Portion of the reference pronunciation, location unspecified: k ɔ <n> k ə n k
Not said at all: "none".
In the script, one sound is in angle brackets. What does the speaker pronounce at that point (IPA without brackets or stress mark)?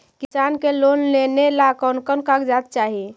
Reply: n